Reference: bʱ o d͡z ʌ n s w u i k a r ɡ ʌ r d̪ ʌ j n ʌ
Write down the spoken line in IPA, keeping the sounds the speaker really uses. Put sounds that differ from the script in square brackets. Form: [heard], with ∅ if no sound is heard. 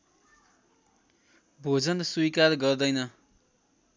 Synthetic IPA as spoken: bʱ o d͡z ʌ n s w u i k a r ɡ ʌ r d̪ ʌ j n ʌ